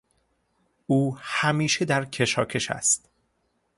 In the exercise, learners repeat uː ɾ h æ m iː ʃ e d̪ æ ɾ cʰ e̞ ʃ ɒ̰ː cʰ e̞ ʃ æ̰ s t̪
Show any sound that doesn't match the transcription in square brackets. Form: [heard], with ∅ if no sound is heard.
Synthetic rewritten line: uː [∅] h æ m iː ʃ e d̪ æ ɾ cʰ e̞ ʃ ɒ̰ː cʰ e̞ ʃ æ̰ s t̪